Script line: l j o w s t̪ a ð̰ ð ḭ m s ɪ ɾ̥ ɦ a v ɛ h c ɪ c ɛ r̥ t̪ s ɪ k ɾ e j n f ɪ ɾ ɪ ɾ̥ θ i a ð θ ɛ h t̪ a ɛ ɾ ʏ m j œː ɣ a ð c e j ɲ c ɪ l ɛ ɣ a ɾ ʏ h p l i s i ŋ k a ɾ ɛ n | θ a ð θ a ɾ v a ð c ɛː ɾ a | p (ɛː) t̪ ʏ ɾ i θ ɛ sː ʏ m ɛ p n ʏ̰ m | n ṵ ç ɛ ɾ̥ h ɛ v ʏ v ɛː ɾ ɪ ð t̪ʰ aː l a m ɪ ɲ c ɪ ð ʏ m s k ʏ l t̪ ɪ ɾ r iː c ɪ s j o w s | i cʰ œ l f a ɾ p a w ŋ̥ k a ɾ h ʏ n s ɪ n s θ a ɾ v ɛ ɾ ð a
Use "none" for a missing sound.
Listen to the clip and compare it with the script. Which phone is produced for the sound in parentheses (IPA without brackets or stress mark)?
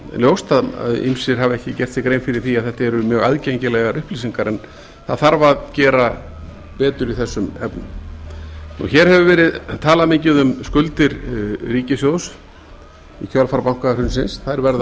ɛː